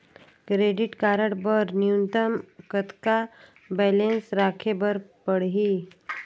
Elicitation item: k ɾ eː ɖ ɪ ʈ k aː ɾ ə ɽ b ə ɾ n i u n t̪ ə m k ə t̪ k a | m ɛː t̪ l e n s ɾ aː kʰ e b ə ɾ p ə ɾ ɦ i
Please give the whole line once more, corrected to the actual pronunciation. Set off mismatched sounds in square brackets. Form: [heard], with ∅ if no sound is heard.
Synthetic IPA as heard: k ɾ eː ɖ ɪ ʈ k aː ɾ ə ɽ b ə ɾ n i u n t̪ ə m k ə t̪ k a | [b] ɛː [∅] l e n s ɾ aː kʰ e b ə ɾ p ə [ɽ] ɦ i